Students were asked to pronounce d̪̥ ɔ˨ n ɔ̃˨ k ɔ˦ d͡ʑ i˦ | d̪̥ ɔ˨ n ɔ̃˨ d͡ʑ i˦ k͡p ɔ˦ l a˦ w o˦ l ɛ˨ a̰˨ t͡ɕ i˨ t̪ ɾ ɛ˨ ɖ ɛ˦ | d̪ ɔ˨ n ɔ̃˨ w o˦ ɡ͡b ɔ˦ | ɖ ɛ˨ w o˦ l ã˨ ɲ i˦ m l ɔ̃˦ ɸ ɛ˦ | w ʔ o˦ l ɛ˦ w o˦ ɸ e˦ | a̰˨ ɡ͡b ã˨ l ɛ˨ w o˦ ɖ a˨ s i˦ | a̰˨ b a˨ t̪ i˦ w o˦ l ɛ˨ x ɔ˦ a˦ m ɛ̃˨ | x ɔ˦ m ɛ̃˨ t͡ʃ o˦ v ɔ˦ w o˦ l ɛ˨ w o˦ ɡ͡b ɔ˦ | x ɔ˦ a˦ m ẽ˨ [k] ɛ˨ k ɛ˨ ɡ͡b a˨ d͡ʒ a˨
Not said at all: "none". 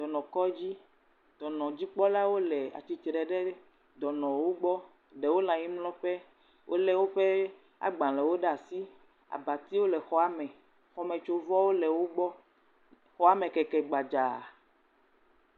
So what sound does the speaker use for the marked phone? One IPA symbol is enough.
k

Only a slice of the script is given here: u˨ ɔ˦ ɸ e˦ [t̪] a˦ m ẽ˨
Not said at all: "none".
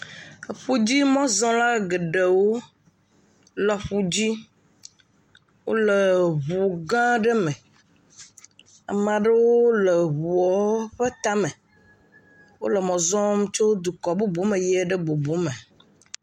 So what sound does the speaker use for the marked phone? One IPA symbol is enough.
t̪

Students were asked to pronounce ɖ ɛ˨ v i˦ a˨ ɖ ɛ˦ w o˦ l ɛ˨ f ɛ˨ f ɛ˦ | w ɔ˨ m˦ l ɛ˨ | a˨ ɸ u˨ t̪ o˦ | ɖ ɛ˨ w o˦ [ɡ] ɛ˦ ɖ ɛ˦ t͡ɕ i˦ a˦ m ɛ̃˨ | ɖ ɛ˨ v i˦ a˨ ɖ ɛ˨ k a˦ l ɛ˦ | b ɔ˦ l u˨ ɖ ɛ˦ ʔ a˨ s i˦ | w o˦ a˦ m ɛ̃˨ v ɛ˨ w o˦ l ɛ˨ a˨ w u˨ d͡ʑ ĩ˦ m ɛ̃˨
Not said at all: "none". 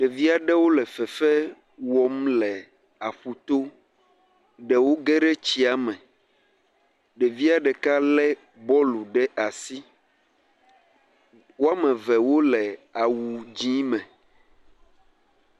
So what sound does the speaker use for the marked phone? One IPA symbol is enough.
ɡ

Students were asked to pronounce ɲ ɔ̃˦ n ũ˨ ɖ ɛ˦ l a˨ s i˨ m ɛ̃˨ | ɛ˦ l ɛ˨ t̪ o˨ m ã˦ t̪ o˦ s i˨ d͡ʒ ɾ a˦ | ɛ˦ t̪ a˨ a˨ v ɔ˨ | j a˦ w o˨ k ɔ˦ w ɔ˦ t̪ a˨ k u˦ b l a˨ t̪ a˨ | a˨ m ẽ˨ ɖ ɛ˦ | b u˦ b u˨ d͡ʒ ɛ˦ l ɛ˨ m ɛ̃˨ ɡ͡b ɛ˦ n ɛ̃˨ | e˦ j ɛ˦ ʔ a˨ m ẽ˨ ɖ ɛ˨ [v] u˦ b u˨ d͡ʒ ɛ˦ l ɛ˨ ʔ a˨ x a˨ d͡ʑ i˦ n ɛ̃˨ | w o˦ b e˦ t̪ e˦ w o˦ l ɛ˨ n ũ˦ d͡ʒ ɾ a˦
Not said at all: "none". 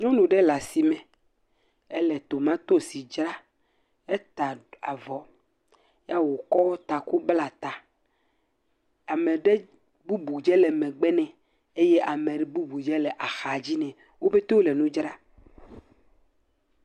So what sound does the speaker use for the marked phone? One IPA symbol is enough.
b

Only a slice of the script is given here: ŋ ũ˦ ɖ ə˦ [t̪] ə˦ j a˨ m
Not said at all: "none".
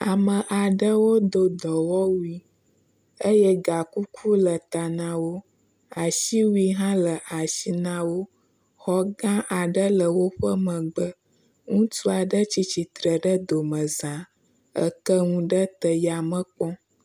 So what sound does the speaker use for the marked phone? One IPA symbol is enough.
t̪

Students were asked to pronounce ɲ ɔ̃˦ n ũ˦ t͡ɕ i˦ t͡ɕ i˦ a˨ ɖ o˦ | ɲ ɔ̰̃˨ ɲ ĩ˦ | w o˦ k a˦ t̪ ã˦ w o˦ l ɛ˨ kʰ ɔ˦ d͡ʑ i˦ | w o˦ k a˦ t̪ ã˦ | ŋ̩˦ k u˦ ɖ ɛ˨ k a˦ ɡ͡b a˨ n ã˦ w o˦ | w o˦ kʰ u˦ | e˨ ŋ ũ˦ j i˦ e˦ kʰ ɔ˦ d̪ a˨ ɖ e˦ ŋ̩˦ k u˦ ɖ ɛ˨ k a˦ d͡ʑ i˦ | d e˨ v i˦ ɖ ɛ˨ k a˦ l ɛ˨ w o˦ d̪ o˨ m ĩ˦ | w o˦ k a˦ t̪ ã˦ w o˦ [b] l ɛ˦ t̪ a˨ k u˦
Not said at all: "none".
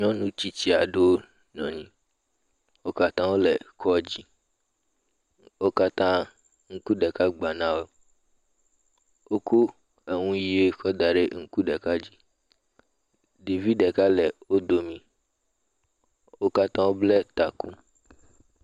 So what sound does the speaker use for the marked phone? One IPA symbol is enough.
b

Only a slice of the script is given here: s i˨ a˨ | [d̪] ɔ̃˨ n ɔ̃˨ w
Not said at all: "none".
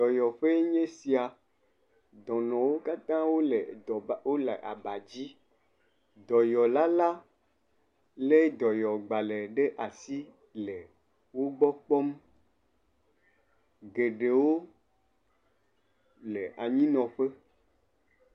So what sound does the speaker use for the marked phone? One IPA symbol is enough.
d̪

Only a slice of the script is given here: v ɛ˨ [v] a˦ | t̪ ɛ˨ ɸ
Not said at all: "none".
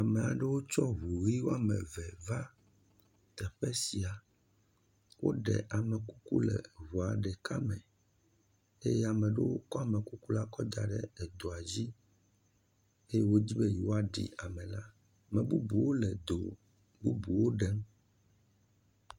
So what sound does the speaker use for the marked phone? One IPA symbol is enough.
v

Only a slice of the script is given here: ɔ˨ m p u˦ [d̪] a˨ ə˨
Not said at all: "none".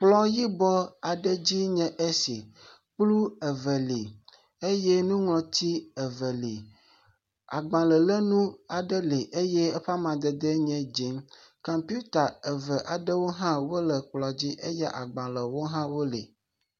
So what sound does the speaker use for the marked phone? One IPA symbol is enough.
t̪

